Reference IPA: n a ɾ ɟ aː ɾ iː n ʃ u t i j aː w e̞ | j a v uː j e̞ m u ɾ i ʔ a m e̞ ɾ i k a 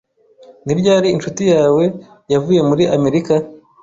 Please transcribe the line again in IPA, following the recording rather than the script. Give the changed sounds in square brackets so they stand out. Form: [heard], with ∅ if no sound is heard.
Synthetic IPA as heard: n [i] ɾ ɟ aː ɾ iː n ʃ u t i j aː w e̞ | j a v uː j e̞ m u ɾ i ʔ a m e̞ ɾ i k a